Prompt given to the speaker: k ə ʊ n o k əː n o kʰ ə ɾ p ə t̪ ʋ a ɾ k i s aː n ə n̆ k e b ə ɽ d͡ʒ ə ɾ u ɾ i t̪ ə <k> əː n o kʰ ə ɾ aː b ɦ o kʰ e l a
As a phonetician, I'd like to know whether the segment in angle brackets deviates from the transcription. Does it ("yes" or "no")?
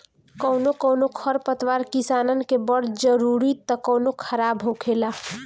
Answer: no